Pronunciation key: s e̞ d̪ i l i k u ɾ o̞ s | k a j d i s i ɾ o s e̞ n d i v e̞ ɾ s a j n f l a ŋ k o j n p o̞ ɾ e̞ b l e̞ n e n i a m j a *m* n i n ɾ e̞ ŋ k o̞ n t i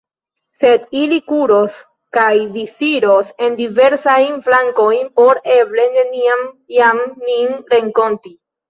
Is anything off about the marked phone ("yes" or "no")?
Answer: no